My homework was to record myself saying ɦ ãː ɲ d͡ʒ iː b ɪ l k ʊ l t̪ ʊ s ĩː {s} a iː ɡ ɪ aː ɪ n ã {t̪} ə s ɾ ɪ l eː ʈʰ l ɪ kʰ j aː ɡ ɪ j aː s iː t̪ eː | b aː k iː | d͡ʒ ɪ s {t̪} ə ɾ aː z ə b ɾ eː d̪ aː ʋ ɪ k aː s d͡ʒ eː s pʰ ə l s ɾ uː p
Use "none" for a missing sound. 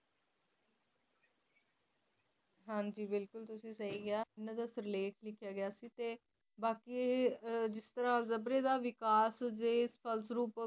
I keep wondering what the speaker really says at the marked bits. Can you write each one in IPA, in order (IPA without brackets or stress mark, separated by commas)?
s, d̪, t̪